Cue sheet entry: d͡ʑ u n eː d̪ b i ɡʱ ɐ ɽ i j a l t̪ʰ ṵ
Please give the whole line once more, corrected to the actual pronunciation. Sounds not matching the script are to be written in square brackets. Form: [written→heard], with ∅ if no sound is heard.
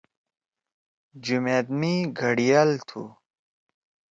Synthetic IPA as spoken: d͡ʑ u [n→m] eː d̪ [b→m] i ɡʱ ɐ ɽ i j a l t̪ʰ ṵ